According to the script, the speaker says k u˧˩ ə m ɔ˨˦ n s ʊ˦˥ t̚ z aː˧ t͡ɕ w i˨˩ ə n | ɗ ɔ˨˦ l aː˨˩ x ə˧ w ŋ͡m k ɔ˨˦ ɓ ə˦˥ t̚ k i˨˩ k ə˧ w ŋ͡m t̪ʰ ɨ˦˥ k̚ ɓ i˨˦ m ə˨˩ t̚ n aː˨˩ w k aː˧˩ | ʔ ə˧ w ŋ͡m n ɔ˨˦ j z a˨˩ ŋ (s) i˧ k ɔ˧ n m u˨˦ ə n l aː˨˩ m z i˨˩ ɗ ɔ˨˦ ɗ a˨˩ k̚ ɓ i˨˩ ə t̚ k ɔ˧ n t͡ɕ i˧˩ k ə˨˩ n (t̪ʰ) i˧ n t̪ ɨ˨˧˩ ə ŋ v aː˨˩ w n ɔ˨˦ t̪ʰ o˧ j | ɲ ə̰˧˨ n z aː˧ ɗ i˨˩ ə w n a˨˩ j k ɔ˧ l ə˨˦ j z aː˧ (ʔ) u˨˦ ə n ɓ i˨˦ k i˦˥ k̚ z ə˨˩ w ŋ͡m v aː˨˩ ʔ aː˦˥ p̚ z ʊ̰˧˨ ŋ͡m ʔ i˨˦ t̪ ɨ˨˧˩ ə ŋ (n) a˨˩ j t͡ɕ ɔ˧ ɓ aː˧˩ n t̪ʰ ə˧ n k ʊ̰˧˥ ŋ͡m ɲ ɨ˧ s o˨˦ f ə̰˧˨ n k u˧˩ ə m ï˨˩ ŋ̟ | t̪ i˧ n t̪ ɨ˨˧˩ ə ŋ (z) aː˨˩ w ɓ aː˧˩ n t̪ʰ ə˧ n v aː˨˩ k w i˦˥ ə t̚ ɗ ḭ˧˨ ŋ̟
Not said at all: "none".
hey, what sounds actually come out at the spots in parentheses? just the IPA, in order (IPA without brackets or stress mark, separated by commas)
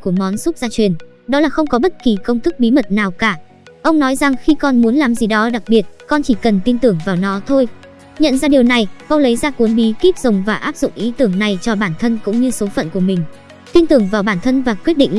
x, t̪, k, n, v